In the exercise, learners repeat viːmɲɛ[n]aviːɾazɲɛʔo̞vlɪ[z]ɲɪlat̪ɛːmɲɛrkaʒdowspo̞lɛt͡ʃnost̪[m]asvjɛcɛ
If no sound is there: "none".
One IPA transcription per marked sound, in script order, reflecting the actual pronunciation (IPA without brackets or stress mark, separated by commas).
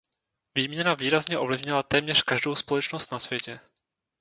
n, v, n